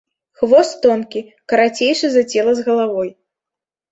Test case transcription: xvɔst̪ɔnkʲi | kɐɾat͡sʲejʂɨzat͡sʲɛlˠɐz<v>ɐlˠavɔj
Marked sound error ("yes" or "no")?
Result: yes